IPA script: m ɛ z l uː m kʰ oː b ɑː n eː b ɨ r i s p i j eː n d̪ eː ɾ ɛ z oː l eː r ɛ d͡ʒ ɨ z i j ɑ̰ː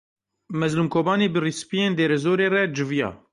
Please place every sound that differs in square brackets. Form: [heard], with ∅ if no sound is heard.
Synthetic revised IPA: m ɛ z l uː m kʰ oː b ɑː n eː b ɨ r i s p i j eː n d̪ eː ɾ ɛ z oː [ɾ] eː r ɛ d͡ʒ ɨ [v] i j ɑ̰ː